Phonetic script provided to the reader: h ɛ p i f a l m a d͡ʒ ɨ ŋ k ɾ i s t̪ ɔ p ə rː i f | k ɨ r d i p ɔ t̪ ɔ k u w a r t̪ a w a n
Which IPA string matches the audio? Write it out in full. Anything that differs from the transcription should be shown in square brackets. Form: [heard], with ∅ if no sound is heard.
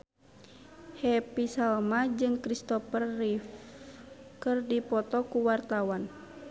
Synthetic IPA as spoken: h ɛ p i [s] a l m a d͡ʒ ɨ ŋ k ɾ i s t̪ ɔ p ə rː i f | k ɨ r d i p ɔ t̪ ɔ k u w a r t̪ a w a n

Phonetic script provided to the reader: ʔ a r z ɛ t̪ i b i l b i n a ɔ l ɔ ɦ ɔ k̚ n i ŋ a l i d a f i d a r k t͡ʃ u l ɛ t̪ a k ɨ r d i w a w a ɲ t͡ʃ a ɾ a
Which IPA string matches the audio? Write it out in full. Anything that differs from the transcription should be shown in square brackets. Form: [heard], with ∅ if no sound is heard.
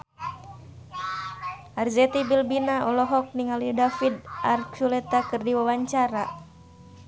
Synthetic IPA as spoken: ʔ a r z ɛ t̪ i b i l b i n a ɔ l ɔ ɦ ɔ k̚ n i ŋ a l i d a f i d a r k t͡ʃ u l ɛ t̪ a k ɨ r d i w a w a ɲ t͡ʃ a ɾ a

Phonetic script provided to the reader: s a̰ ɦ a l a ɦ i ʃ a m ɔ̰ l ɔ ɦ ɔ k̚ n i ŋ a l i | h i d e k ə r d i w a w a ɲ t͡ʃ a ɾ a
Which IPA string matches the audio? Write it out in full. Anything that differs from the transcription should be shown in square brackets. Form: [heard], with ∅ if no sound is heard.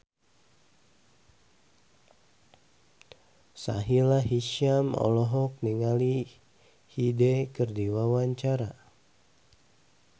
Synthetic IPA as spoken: s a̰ ɦ [i] l a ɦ i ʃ a m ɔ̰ l ɔ ɦ ɔ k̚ n i ŋ a l i | h i d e k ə r d i w a w a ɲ t͡ʃ a ɾ a

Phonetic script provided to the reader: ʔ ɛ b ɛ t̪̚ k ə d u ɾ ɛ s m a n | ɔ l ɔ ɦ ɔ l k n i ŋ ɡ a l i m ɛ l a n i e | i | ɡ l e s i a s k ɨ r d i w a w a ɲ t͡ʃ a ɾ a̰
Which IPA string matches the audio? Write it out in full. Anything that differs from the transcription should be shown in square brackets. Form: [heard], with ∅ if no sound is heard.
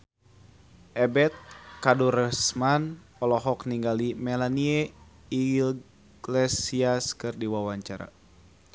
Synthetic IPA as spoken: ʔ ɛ b ɛ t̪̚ k [a] d u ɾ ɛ s m a n | ɔ l ɔ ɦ ɔ [∅] k n i ŋ ɡ a l i m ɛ l a n i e | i | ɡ l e s i a s k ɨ r d i w a w a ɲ t͡ʃ a ɾ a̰

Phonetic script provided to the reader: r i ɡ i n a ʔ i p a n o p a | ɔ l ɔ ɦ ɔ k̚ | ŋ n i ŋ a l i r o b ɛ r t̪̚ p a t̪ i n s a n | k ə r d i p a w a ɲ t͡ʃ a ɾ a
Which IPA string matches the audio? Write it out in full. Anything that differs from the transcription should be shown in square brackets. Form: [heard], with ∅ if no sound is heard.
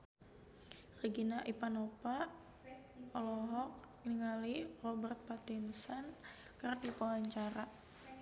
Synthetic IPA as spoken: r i ɡ i n a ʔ i p a n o p a | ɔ l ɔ ɦ ɔ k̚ | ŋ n i ŋ a l i r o b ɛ r t̪̚ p a t̪ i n s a n | k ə r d i p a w a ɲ t͡ʃ a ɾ a

